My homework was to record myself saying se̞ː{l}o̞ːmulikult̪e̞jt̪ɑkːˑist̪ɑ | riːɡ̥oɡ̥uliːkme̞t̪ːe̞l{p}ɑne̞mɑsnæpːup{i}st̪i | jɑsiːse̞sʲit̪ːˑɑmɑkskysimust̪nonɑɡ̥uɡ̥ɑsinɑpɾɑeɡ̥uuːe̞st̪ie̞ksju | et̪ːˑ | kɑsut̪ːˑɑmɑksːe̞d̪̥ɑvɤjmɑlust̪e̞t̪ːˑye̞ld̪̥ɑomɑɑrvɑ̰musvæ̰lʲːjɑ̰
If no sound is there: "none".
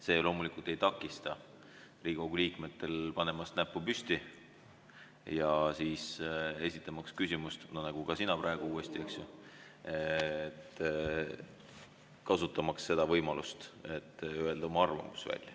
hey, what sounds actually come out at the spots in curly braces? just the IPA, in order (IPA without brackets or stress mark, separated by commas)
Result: l, p, y